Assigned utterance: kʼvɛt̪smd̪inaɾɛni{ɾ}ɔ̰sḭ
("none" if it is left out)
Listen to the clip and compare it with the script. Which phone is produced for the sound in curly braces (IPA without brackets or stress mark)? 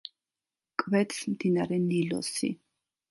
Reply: l